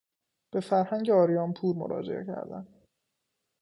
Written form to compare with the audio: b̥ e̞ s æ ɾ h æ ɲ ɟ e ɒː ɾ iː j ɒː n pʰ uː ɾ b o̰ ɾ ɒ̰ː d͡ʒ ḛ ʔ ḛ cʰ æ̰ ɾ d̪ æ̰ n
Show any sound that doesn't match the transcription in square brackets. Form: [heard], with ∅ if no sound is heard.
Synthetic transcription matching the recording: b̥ e̞ [f] æ ɾ h æ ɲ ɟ e ɒː ɾ [i] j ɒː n pʰ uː ɾ [m] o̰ ɾ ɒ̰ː d͡ʒ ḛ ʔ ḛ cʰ æ̰ ɾ d̪ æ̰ n